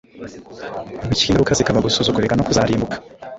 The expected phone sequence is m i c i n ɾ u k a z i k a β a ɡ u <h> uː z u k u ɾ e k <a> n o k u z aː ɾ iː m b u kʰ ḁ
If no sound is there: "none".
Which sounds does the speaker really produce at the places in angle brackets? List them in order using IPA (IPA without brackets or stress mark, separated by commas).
s, a